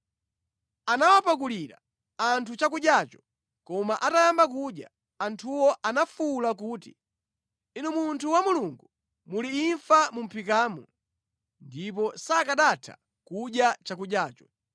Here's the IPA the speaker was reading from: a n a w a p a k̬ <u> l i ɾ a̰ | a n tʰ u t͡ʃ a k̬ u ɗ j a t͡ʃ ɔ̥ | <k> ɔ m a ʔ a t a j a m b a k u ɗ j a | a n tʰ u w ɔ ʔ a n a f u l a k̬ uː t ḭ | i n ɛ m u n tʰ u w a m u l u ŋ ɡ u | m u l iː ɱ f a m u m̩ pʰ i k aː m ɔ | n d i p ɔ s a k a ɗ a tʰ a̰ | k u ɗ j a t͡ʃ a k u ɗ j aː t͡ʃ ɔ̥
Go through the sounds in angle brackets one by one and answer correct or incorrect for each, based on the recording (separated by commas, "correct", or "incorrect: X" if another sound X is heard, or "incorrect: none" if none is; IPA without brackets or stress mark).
correct, correct